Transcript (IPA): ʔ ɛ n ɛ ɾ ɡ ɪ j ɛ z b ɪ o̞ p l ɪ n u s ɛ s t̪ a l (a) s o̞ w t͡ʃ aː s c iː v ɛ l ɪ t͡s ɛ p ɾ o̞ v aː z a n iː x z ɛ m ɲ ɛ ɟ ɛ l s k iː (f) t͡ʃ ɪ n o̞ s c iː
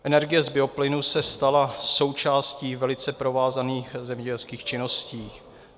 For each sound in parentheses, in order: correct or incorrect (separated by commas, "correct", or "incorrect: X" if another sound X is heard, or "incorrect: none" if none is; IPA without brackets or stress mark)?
correct, incorrect: x